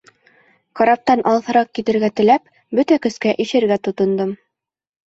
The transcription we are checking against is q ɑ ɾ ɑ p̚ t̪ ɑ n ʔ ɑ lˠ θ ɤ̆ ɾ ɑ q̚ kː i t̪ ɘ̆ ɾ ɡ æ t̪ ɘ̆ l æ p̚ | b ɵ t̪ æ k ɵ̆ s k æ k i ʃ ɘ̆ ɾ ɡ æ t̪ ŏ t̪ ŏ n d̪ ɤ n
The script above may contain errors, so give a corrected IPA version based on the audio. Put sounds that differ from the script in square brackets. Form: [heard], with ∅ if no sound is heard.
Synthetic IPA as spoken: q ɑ ɾ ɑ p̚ t̪ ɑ n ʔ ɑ lˠ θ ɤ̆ ɾ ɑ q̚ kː i t̪ ɘ̆ ɾ ɡ æ t̪ ɘ̆ l æ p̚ | b ɵ t̪ æ k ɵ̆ s k æ [ʔ] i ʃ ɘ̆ ɾ ɡ æ t̪ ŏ t̪ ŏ n d̪ ɤ [m]